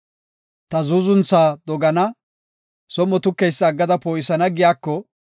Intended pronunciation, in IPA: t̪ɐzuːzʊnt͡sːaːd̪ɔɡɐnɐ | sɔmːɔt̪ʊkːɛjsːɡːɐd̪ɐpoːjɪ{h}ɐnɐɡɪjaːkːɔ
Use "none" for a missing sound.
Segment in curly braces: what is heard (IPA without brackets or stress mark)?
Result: s